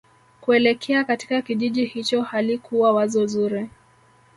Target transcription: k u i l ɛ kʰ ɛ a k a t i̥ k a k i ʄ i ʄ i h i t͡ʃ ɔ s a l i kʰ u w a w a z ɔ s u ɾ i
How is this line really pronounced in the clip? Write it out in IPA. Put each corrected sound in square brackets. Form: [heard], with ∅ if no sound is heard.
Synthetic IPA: k u [ɛ] l ɛ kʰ ɛ a k a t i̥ k a k i ʄ i ʄ i h i t͡ʃ ɔ [h] a l i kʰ u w a w a z ɔ [z] u ɾ i